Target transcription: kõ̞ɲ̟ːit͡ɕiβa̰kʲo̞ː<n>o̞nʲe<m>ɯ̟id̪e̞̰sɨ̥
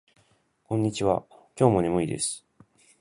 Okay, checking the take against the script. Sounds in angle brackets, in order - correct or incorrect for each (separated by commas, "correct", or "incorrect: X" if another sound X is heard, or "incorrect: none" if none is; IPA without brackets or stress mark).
incorrect: m, correct